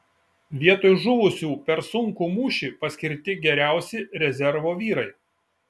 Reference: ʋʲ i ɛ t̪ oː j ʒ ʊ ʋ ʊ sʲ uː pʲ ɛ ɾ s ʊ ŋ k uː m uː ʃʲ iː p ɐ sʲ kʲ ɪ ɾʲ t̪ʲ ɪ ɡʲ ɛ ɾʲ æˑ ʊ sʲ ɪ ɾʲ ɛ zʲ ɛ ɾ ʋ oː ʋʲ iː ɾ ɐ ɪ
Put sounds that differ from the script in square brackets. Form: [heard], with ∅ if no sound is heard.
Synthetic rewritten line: ʋʲ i ɛ t̪ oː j ʒ ʊ ʋ ʊ sʲ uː pʲ ɛ ɾ s ʊ ŋ k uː m uː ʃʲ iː p ɐ sʲ kʲ ɪ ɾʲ t̪ʲ ɪ ɡʲ ɛ ɾʲ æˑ ʊ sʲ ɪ ɾʲ ɛ zʲ ɛ ɾ ʋ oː ʋʲ iː ɾ ɐ ɪ